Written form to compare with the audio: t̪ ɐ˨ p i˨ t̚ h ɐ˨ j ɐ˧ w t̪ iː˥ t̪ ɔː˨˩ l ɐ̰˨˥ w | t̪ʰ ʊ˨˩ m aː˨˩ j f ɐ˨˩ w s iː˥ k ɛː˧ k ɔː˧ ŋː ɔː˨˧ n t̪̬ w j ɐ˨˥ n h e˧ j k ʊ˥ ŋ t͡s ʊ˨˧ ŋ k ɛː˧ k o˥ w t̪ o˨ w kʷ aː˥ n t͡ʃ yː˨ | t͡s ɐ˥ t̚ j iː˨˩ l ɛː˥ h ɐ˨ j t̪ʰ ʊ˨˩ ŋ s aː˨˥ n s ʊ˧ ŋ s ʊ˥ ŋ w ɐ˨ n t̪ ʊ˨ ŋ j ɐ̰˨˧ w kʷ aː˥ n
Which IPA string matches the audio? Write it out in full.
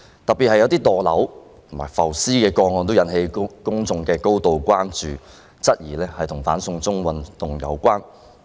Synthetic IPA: t̪ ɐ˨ p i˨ t̚ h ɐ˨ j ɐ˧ w t̪ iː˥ t̪ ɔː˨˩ l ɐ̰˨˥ w | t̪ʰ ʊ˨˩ m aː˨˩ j f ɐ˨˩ w s iː˥ k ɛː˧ k ɔː˧ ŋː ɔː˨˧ n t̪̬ w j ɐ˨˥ n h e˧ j k ʊ˥ ŋ t͡s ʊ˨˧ ŋ k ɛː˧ k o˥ w t̪ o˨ w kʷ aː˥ n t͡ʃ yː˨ | t͡s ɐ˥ t̚ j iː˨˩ l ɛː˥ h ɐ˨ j t̪ʰ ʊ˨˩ ŋ f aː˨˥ n s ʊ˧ ŋ t͡s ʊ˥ ŋ w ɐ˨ n t̪ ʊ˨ ŋ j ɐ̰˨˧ w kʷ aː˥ n

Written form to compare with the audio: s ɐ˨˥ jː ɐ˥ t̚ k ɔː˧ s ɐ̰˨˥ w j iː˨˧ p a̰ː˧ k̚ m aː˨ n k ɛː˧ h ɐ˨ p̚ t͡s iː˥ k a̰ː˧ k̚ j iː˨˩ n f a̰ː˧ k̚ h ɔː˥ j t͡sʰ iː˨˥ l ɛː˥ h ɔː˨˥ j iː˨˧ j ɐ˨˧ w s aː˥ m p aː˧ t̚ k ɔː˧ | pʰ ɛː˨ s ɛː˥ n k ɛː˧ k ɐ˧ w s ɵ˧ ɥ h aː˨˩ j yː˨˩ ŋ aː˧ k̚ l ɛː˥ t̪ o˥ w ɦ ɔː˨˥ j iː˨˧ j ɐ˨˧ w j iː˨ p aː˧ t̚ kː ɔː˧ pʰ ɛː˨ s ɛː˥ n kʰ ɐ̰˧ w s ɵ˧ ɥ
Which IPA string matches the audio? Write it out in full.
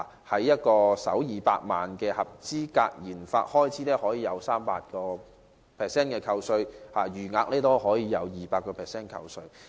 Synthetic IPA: h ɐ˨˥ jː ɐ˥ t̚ k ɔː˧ s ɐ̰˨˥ w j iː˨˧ p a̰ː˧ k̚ m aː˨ n k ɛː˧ h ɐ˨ p̚ t͡s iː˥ k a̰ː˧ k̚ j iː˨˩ n f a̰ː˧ t̚ h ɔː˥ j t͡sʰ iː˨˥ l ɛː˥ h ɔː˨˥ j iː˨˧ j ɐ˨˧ w s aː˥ m p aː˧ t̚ k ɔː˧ | pʰ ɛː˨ s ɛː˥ n k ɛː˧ kʰ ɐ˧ w s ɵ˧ ɥ h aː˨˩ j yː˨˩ ŋ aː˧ k̚ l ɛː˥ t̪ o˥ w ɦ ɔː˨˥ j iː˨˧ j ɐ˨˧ w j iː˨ p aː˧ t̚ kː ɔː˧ pʰ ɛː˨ s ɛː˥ n kʰ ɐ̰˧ w s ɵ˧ ɥ

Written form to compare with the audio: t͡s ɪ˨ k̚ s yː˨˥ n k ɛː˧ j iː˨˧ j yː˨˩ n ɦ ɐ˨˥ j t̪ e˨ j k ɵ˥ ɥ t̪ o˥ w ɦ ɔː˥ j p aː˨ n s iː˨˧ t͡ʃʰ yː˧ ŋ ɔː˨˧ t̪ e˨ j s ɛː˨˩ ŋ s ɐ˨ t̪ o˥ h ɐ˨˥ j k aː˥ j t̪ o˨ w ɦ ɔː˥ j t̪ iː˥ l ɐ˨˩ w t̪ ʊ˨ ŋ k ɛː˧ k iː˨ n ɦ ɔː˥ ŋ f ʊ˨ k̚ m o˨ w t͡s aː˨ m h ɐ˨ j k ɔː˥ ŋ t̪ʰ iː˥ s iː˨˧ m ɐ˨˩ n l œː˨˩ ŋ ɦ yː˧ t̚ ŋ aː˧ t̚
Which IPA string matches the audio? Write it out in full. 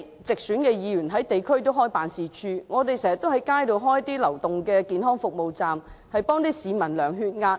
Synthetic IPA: t͡s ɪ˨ k̚ s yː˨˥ n k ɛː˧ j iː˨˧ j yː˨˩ n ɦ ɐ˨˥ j t̪ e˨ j kʰ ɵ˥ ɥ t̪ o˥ w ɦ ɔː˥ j p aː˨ n s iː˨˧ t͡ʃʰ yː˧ ŋ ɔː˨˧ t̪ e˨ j s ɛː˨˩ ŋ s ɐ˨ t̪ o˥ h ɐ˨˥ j k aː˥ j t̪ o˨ w ɦ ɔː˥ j t̪ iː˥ l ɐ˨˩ w t̪ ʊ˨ ŋ k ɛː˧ k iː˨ n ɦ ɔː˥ ŋ f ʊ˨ k̚ m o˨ w t͡s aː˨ m h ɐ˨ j p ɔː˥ ŋ t̪ iː˥ s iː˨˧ m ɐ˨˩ n l œː˨˩ ŋ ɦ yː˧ t̚ ŋ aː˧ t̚

